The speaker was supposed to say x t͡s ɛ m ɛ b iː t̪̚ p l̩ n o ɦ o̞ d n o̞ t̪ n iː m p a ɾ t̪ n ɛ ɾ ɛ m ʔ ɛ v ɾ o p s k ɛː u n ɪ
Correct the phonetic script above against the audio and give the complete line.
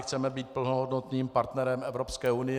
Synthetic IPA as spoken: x t͡s ɛ m ɛ b iː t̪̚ p l̩ n o ɦ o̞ d n o̞ t̪ n iː m p a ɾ t̪ n ɛ ɾ ɛ m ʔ ɛ v ɾ o p s k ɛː u n ɪ